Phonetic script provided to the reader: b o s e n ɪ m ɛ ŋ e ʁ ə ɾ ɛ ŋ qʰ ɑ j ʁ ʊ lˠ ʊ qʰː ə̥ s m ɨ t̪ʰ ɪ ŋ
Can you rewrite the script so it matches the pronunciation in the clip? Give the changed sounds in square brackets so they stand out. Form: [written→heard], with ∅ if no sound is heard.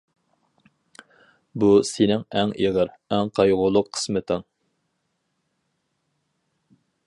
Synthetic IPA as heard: b [o→u] s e n ɪ [m→ŋ] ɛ ŋ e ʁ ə ɾ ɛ ŋ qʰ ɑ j ʁ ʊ lˠ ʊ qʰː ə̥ s m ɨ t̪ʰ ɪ ŋ

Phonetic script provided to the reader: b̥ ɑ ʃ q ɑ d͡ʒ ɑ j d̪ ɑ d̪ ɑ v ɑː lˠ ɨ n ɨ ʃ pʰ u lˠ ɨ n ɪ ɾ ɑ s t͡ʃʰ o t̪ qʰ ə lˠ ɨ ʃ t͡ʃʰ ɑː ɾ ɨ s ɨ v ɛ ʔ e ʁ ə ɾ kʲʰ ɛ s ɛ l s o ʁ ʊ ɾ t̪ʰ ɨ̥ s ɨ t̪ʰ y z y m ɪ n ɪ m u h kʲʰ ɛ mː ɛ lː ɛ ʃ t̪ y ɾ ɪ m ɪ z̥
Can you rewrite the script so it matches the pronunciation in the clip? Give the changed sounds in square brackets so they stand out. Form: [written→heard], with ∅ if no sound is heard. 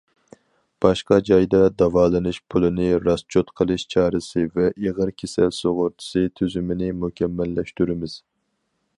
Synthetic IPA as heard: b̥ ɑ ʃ q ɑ d͡ʒ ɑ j d̪ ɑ d̪ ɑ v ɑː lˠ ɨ n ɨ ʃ pʰ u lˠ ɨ n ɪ ɾ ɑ s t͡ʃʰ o t̪ qʰ ə lˠ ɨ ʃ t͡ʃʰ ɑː ɾ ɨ s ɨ v ɛ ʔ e ʁ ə ɾ kʲʰ [ɛ→e] s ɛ l s o ʁ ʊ ɾ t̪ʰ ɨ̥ s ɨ t̪ʰ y z y m ɪ n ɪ m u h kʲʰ ɛ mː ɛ lː ɛ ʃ t̪ y ɾ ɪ m ɪ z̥

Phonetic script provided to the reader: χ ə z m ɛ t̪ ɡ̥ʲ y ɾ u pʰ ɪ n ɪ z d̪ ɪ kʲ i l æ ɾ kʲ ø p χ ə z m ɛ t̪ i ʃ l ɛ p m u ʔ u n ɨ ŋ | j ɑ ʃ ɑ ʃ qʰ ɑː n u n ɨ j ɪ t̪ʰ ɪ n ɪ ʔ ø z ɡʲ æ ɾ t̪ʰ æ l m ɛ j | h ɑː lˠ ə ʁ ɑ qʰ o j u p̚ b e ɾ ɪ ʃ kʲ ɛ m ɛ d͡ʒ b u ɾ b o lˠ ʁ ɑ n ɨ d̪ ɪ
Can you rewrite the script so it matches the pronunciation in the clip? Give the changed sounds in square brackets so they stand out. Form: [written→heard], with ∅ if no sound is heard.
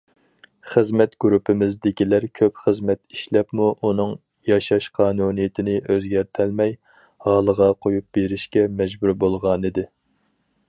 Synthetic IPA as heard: χ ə z m ɛ t̪ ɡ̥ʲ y ɾ u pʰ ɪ [n→m] ɪ z d̪ ɪ kʲ i l æ ɾ [kʲ→kʲʰ] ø p χ ə z m ɛ t̪ i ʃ l ɛ p m u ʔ u n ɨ ŋ | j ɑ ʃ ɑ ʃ qʰ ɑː n u n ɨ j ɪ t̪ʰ ɪ n ɪ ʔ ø z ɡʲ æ ɾ t̪ʰ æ l m ɛ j | h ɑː lˠ ə ʁ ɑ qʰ o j u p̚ b e ɾ ɪ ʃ kʲ ɛ m ɛ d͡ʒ b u ɾ b o lˠ ʁ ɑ n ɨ d̪ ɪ

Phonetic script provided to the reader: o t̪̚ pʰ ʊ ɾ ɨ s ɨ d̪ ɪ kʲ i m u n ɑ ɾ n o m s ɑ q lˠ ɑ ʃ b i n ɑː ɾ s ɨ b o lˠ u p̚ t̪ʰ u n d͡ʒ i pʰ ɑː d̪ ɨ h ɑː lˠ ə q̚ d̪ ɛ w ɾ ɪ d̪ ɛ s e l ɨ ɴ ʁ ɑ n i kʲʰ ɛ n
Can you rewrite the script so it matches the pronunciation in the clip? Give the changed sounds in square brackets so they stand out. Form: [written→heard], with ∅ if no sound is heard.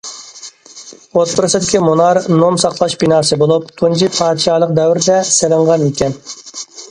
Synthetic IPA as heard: o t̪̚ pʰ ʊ ɾ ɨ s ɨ d̪ ɪ kʲ i m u n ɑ ɾ n o m s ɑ q lˠ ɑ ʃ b i n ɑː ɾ s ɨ b o lˠ u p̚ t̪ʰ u n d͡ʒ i pʰ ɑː d̪ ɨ [h→ʃ] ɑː lˠ ə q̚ d̪ ɛ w ɾ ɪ d̪ ɛ s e l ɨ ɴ ʁ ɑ n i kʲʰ ɛ n

